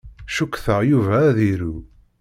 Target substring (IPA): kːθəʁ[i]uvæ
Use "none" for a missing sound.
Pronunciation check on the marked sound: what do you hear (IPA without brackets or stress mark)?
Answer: j